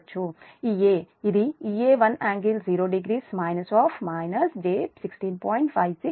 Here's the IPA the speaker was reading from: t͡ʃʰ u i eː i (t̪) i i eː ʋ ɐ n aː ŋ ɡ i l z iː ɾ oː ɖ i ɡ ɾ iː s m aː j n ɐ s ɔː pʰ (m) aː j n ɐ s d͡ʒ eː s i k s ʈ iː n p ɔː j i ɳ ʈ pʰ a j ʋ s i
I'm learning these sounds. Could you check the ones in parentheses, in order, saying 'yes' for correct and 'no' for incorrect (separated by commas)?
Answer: no, yes